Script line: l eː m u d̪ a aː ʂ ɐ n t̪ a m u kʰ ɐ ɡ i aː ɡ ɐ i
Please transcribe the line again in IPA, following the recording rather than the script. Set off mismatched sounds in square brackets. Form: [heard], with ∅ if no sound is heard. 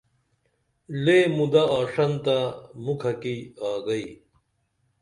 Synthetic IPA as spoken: l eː m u d̪ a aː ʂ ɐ n t̪ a m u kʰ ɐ [k] i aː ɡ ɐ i